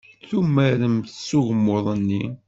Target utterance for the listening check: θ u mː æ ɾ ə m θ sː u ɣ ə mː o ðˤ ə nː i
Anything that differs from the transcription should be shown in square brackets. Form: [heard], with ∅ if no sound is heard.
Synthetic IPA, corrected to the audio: θ u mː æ ɾ ə m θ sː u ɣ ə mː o ðˤ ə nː i